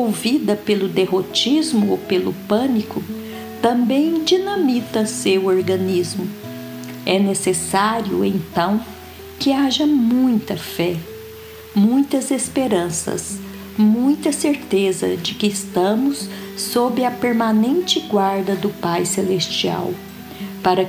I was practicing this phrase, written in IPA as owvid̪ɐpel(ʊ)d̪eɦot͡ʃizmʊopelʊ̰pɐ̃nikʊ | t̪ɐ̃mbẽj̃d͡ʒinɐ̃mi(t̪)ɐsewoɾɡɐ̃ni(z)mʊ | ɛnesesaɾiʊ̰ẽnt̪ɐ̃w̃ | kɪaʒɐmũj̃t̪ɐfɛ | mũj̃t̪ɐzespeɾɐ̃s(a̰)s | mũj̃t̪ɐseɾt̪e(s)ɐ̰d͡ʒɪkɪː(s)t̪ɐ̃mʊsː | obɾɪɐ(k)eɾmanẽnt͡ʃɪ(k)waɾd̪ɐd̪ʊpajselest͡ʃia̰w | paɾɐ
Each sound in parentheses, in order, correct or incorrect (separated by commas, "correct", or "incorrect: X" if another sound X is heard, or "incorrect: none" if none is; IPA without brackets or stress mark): correct, correct, correct, incorrect: ɐ̰, incorrect: z, correct, incorrect: p, incorrect: ɡ